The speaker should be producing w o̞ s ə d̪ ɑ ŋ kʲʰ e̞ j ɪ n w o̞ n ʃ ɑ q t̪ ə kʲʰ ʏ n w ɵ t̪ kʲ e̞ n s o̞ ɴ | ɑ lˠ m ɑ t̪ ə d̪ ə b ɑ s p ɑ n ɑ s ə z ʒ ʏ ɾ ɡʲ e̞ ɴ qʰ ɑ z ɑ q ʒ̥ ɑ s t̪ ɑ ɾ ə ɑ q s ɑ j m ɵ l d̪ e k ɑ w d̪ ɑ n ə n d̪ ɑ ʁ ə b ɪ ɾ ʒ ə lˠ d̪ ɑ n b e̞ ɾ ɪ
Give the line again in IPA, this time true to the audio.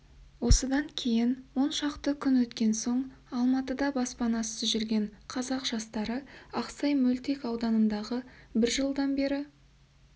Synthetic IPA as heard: w o̞ s ə d̪ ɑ ŋ kʲʰ e̞ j ɪ n w o̞ n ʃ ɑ q t̪ ə kʲʰ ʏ n w ɵ t̪ kʲ e̞ n s o̞ ɴ | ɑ lˠ m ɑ t̪ ə d̪ ɑ b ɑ s p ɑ n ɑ s ə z ʒ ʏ ɾ ɡʲ e̞ ɴ qʰ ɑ z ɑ q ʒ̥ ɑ s t̪ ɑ ɾ ə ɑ q s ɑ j m ɵ l t̪ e k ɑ w d̪ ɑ n ə n d̪ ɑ ʁ ə b ɪ ɾ ʒ ə lˠ d̪ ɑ n b e̞ ɾ ɪ